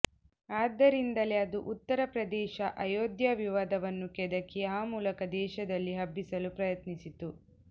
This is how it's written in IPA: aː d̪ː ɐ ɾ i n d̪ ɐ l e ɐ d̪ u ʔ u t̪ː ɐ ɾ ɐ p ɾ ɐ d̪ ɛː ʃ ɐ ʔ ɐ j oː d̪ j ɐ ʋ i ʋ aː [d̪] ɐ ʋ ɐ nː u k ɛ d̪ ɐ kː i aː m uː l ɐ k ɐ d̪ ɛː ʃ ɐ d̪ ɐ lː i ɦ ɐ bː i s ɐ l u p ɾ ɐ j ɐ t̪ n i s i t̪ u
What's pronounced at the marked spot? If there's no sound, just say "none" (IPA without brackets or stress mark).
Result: d̪